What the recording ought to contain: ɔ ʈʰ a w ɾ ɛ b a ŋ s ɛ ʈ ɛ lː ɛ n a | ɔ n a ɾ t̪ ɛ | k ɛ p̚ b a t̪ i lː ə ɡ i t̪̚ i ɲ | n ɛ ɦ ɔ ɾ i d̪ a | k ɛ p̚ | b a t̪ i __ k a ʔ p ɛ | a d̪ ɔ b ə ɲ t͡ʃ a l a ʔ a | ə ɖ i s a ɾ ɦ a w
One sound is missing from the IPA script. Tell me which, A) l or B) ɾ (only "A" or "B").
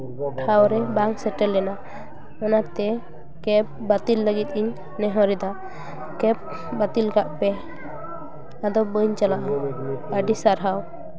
A